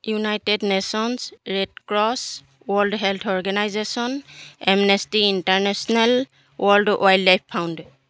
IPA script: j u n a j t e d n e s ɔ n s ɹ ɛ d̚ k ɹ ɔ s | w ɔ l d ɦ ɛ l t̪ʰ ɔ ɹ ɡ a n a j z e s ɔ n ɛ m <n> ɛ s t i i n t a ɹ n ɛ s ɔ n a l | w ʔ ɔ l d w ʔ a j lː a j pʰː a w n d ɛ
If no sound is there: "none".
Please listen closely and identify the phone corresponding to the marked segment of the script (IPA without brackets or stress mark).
n